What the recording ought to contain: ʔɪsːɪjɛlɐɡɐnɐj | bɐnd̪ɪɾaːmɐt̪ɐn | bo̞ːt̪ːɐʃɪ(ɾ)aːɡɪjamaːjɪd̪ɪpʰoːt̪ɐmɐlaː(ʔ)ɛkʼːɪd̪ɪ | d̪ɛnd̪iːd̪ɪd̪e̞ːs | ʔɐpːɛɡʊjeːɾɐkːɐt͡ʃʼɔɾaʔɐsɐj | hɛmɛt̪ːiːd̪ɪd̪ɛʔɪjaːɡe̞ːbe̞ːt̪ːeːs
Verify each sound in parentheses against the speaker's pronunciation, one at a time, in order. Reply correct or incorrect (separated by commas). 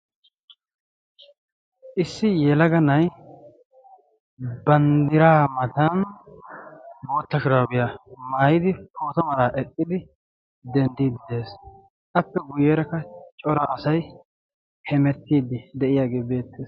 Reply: correct, correct